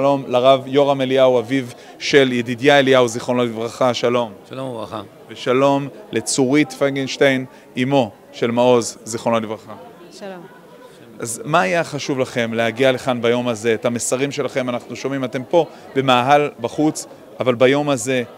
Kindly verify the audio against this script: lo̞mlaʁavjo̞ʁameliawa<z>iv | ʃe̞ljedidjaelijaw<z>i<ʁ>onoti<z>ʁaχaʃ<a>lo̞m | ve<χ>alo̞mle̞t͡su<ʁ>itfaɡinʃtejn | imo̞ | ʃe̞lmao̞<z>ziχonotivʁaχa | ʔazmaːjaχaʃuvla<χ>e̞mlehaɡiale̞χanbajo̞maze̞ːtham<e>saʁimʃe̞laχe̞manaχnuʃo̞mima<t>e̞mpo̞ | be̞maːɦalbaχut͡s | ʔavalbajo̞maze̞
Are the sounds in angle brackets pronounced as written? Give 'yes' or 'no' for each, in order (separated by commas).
no, yes, no, no, yes, no, yes, yes, yes, yes, yes